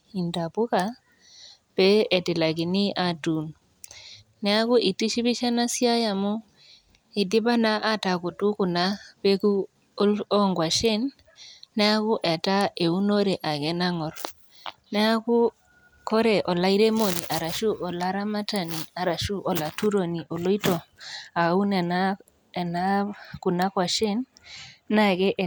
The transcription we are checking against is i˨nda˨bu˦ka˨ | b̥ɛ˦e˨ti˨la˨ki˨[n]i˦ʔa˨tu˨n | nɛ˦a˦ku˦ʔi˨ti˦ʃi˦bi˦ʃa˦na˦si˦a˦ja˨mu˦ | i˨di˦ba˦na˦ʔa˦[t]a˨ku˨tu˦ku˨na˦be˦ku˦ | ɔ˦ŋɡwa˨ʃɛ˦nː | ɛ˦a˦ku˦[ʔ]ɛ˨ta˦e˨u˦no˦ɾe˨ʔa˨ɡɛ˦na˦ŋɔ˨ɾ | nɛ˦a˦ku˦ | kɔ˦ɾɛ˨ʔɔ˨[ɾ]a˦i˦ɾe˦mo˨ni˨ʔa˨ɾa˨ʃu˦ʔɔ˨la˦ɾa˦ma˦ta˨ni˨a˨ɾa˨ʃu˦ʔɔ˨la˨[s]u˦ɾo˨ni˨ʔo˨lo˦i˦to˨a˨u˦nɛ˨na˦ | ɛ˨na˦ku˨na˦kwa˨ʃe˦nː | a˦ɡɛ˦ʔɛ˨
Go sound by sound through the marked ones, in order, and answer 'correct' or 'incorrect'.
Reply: correct, correct, correct, incorrect: l, incorrect: t

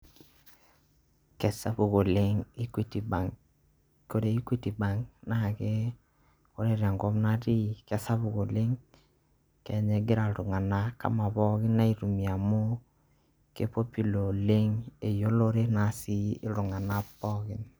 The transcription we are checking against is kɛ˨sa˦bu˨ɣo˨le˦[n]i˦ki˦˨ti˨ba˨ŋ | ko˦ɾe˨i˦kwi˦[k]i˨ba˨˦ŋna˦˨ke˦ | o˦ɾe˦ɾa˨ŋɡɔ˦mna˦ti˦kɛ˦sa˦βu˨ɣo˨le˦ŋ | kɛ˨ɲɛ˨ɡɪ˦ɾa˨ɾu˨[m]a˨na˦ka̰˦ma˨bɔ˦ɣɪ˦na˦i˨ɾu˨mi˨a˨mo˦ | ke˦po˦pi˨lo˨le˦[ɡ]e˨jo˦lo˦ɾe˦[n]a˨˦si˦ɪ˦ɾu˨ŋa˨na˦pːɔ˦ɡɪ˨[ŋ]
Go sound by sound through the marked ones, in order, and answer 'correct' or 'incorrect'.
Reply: incorrect: ŋ, incorrect: t, incorrect: ŋ, incorrect: ŋ, correct, incorrect: n

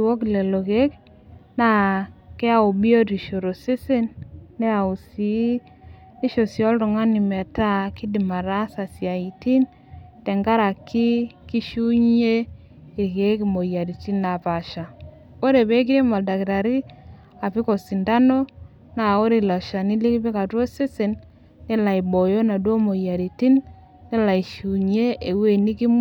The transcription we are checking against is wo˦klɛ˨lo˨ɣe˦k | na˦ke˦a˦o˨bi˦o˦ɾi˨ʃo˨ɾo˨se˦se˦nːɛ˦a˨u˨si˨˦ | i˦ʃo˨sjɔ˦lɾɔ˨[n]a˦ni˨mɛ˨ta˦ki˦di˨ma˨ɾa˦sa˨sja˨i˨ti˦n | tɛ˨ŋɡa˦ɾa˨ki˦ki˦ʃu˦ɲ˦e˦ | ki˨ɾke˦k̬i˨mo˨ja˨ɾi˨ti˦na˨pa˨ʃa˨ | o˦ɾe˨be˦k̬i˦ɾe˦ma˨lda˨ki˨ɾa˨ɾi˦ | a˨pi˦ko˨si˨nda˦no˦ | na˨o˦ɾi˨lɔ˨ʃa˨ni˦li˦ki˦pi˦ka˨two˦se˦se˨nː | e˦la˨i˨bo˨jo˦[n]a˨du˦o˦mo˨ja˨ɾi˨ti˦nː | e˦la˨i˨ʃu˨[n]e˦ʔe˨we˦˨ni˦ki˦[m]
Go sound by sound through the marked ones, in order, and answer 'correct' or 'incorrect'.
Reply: incorrect: ŋ, correct, incorrect: ɲ, correct

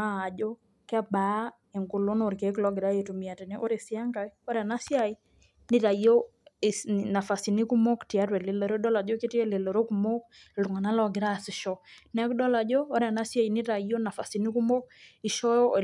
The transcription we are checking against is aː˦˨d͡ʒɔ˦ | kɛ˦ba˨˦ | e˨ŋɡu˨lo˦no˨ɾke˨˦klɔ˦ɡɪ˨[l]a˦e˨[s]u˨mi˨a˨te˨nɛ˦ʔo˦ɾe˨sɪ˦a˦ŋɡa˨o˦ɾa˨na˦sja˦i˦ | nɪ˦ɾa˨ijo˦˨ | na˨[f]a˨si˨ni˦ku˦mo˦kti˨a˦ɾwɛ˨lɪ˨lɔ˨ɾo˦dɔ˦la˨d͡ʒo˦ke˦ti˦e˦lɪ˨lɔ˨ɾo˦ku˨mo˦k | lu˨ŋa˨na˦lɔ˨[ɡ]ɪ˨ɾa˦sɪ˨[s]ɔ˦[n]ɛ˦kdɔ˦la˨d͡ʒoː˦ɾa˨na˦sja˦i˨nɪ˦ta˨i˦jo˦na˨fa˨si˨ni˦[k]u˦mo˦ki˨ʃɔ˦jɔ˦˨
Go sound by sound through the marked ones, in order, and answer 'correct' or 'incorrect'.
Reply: incorrect: ɾ, incorrect: t, correct, correct, incorrect: ʃ, correct, correct

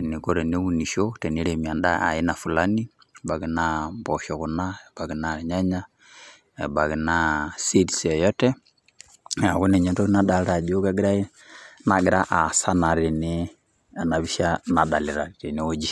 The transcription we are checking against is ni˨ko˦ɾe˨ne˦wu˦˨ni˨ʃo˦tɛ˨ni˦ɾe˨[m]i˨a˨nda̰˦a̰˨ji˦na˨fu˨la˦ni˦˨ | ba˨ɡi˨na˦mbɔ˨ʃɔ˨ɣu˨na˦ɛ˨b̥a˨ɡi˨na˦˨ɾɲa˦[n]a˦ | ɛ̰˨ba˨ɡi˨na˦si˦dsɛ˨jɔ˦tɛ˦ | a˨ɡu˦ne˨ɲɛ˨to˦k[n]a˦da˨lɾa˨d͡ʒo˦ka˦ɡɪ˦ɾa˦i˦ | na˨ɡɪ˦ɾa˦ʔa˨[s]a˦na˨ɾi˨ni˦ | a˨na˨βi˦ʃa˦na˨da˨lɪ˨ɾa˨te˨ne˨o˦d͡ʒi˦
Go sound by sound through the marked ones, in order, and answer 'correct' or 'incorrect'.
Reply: correct, incorrect: ɲ, correct, correct

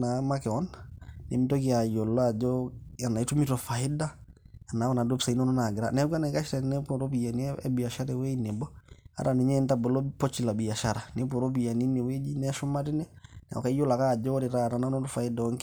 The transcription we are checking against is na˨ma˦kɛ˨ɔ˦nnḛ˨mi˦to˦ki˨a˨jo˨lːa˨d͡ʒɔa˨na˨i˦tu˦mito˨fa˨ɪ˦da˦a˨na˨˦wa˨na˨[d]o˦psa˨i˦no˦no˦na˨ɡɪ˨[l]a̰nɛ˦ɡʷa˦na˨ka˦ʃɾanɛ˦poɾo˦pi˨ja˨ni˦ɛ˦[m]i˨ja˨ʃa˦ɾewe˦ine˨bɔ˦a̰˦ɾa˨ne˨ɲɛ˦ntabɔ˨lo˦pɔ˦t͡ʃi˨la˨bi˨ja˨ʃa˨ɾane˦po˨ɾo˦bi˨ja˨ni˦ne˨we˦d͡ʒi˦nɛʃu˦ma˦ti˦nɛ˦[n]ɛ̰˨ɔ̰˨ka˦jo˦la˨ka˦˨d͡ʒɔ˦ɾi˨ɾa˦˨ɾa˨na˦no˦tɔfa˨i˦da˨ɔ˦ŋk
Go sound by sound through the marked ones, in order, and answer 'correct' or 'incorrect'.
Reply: correct, incorrect: ɾ, incorrect: b, correct

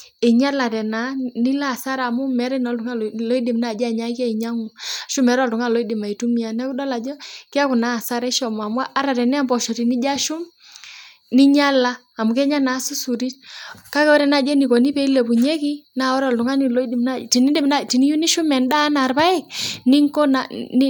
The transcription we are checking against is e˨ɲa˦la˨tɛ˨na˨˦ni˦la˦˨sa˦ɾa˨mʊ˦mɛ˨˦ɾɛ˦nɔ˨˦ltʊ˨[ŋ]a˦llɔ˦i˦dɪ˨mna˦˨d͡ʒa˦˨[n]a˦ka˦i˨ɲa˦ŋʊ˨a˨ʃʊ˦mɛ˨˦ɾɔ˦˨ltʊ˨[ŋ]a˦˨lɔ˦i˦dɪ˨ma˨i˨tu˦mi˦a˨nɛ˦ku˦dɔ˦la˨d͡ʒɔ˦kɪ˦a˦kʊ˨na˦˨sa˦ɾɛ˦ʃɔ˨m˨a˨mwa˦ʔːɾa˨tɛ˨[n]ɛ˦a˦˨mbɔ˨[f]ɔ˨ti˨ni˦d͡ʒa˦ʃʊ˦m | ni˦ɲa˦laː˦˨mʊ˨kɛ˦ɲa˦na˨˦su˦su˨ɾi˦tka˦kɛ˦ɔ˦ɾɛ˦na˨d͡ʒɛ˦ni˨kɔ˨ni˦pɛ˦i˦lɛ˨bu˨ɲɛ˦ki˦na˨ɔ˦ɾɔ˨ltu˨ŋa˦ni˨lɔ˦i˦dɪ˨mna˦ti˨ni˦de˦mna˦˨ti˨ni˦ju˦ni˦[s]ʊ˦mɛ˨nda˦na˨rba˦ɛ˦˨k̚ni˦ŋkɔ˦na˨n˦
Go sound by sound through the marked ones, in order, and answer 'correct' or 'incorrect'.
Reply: correct, incorrect: ɲ, correct, correct, incorrect: ʃ, incorrect: ʃ

